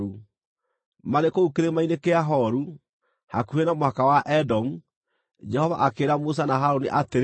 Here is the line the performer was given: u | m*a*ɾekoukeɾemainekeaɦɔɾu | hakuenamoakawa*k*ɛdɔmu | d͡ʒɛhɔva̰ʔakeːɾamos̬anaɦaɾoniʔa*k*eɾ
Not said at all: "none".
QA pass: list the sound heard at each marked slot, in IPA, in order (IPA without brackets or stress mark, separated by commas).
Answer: a, ʔ, t